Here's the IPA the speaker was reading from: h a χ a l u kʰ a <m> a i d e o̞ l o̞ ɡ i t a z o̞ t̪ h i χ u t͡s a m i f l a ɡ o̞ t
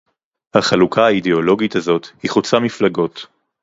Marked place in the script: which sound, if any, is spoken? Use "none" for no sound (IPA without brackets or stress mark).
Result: none